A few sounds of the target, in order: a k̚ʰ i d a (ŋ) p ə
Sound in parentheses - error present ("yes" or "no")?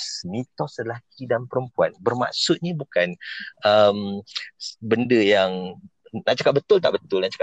yes